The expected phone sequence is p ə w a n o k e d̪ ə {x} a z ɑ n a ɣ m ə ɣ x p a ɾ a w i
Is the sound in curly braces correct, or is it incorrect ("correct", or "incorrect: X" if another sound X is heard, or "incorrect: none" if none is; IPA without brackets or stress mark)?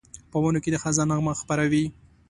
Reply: correct